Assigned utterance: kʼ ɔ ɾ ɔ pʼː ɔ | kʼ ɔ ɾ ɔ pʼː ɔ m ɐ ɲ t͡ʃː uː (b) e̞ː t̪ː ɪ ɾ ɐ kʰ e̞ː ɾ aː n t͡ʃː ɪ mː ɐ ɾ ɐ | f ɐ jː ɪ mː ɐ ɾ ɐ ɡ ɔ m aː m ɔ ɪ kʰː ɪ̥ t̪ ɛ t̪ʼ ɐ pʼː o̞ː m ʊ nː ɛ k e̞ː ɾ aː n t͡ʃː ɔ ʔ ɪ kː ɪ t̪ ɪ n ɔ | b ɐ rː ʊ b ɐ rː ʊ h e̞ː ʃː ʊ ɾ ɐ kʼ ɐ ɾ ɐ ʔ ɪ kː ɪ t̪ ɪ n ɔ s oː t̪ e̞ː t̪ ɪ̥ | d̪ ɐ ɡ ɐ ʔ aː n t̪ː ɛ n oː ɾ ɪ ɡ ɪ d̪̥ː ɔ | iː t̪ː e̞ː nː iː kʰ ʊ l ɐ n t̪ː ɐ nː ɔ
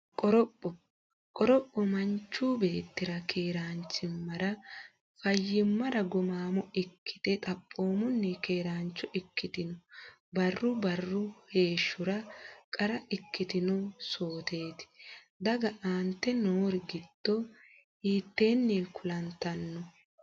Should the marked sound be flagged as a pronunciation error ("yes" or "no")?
no